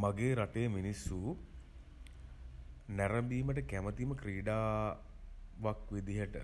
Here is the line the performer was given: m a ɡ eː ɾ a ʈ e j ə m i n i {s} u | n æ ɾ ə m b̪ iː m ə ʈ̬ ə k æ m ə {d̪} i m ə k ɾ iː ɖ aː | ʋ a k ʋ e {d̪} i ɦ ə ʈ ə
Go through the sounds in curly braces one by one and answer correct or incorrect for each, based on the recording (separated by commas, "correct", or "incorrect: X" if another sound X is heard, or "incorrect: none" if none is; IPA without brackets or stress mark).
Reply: incorrect: sː, incorrect: t̪, correct